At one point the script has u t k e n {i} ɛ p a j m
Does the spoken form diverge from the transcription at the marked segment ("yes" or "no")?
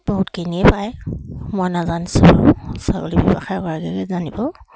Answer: no